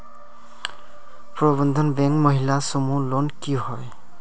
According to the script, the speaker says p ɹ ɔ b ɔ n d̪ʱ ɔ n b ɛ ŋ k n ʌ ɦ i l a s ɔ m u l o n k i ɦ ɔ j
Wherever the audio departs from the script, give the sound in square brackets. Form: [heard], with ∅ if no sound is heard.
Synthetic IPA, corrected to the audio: p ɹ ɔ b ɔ n d̪ʱ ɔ n b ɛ ŋ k [m] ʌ ɦ i l a s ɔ m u l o n k i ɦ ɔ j